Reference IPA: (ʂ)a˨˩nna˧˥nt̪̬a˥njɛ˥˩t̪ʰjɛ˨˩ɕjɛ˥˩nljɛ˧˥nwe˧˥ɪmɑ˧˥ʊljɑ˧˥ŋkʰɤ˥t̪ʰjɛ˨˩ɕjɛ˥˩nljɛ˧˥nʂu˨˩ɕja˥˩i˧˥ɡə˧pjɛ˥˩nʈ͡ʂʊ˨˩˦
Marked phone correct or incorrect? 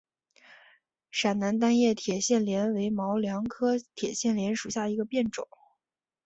correct